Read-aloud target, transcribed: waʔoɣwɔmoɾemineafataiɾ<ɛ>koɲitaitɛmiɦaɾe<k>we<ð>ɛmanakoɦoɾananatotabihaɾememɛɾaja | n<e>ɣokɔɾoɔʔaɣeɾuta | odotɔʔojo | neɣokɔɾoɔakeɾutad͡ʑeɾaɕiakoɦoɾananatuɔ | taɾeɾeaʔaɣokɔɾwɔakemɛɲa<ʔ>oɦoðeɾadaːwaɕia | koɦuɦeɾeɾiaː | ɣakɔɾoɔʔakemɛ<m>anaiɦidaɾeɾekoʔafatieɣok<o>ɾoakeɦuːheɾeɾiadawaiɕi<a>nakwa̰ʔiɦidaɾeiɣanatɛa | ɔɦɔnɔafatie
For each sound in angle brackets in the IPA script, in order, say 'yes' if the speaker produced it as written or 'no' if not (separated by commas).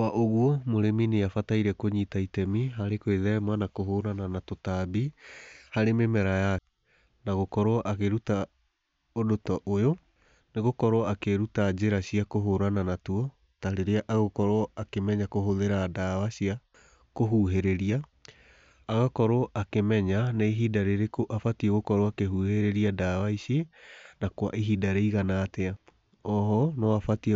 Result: yes, yes, yes, no, no, no, no, no